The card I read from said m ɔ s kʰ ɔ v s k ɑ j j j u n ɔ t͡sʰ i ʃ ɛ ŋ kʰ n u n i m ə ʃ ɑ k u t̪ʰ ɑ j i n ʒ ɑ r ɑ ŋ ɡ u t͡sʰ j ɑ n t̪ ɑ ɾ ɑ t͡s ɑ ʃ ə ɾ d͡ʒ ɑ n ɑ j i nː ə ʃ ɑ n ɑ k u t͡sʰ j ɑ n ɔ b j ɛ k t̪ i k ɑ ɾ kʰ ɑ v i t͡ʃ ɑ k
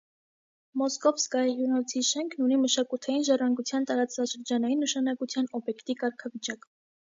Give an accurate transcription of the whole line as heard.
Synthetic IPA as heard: m ɔ s k ɔ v s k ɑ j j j u n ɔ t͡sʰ i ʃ ɛ ŋ kʰ n u n i m ə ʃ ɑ k u t̪ʰ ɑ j i n ʒ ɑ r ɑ ŋ ɡ u t͡sʰ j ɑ n t̪ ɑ ɾ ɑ t͡s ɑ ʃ ə ɾ d͡ʒ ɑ n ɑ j i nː ə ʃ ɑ n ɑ k u t͡sʰ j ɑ n ɔ b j ɛ k t̪ i k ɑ ɾ kʰ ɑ v i t͡ʃ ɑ k